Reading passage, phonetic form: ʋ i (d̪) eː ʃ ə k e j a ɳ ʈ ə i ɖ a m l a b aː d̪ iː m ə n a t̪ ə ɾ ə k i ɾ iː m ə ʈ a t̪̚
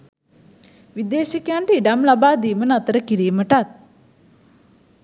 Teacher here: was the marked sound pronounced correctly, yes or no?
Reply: yes